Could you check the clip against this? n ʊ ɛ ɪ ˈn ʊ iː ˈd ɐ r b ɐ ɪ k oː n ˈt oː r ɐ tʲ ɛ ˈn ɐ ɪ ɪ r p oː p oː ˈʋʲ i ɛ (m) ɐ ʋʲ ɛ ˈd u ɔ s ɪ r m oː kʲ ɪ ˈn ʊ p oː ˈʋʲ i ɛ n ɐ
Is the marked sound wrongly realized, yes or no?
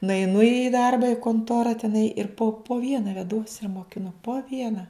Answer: yes